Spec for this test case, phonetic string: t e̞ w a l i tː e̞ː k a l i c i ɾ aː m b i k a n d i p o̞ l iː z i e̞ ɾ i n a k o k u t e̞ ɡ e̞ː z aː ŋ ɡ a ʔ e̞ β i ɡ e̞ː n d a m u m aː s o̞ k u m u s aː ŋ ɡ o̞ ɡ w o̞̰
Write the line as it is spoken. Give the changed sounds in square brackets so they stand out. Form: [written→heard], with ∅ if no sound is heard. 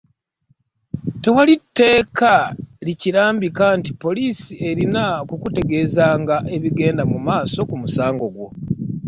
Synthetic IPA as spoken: t e̞ w a l i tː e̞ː k a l i c i ɾ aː m b i k a n [d→t] i p o̞ l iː [z→s] i e̞ ɾ i n a k [o→u] k u t e̞ ɡ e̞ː z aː ŋ ɡ a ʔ e̞ β i ɡ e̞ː n d a m u m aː s o̞ k u m u s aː ŋ ɡ o̞ ɡ w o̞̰